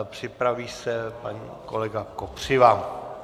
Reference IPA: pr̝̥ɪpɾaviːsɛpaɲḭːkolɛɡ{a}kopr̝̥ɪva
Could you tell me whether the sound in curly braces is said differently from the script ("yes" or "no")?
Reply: no